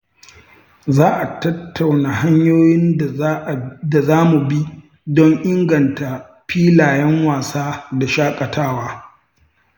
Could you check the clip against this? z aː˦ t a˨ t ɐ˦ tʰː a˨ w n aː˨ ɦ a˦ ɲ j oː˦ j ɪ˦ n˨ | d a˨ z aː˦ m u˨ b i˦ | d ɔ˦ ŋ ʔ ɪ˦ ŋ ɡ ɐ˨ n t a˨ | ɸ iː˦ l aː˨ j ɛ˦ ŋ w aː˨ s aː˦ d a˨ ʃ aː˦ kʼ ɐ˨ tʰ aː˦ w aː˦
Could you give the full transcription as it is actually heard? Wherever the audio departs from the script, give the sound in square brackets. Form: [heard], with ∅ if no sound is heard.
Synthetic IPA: z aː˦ [ʔ] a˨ t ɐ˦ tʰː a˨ w n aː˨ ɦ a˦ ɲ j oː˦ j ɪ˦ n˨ | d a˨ z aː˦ m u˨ b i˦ | d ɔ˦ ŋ ʔ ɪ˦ ŋ ɡ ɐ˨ n t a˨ | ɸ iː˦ l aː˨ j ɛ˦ ŋ w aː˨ s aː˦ d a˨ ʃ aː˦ kʼ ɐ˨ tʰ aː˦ w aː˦